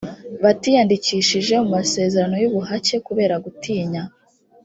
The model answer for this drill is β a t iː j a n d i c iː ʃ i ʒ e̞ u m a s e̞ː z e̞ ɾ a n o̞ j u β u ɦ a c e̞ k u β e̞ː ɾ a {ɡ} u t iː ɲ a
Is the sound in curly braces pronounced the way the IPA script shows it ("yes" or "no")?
yes